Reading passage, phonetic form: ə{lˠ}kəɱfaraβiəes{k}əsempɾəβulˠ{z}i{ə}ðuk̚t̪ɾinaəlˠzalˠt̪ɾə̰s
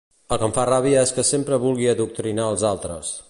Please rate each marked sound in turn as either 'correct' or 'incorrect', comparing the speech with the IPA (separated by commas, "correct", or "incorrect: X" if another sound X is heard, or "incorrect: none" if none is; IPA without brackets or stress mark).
correct, correct, incorrect: ɣ, correct